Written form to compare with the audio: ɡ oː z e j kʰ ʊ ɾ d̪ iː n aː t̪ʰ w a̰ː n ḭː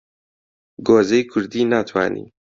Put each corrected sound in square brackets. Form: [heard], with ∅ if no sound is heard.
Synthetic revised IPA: ɡ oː z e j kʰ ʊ ɾ d̪ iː n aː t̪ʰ w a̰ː n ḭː